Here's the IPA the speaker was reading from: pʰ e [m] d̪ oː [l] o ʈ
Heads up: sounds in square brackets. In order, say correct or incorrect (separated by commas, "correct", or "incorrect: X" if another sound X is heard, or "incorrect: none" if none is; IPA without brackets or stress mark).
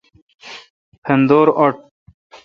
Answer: incorrect: n, incorrect: ɾ